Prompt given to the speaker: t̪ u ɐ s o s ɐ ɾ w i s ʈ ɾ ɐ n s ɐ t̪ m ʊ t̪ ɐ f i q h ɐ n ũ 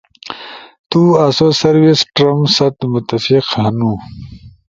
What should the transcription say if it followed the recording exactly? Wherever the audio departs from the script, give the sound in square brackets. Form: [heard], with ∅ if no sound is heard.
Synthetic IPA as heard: t̪ u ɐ s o s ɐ ɾ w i s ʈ ɾ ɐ [m] s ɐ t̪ m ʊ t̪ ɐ f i q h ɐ n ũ